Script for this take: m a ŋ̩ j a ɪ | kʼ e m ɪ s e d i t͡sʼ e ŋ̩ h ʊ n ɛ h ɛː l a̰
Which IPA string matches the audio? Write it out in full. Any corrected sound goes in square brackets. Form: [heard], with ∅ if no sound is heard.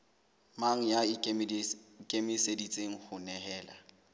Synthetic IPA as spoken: m a ŋ̩ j a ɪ | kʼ e m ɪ s e d i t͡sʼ e ŋ̩ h ʊ n ɛ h ɛː l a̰